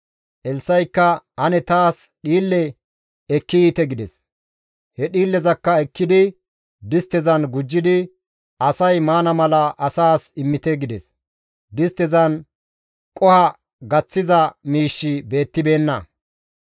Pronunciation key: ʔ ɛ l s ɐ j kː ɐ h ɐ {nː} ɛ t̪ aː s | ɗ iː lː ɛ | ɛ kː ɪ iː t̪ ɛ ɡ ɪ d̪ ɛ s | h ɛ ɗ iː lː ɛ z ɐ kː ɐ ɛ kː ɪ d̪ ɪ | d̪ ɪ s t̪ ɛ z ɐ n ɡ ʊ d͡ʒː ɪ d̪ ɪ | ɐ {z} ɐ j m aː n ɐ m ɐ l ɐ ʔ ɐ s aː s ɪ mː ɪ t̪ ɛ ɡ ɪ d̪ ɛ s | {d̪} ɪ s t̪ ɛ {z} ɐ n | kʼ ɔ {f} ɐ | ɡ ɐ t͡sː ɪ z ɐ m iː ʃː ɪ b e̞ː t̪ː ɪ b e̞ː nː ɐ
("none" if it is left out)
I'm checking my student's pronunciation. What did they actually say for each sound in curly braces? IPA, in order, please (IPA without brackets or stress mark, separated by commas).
n, s, d̪, z, h